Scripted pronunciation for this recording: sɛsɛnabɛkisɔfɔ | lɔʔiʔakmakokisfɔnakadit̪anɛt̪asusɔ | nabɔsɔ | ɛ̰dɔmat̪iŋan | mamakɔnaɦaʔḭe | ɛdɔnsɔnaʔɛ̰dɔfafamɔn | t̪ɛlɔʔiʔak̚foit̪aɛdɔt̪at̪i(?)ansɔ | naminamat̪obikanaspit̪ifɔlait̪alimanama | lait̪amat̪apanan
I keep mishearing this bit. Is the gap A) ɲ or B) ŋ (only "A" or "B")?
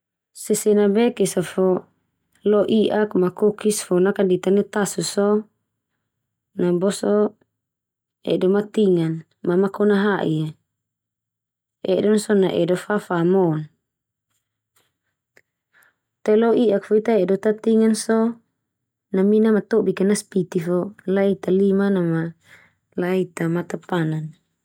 B